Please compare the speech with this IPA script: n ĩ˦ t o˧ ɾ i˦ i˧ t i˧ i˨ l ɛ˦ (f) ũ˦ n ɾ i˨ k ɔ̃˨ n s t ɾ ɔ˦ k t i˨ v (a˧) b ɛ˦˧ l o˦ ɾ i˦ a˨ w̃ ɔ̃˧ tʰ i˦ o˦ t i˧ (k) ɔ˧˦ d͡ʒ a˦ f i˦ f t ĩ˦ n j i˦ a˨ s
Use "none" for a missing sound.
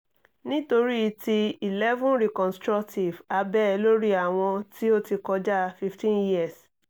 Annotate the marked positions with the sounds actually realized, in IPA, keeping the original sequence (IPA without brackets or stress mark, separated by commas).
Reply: v, a˧, k